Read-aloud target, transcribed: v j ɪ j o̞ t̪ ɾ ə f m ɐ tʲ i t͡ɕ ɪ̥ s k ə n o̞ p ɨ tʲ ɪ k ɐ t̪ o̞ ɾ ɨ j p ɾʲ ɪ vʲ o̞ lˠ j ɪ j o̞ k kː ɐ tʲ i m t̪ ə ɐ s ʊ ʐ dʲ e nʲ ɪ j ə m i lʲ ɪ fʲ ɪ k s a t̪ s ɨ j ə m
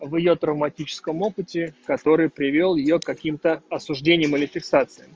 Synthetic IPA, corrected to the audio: v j ɪ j o̞ t̪ ɾ ə v m ɐ tʲ i t͡ɕ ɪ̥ s k ə m o̞ p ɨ tʲ ɪ k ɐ t̪ o̞ ɾ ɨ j p ɾʲ ɪ vʲ o̞ lˠ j ɪ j o̞ k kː ɐ kʲ i m t̪ ə ɐ s ʊ ʐ dʲ e nʲ ɪ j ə m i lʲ ɪ fʲ ɪ k s a t̪ s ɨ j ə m